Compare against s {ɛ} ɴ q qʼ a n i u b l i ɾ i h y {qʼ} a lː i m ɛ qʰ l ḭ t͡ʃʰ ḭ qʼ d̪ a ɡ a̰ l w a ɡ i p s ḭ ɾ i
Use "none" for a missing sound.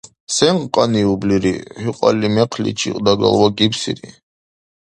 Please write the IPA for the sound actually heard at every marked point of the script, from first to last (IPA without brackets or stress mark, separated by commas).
ɛ, qʼ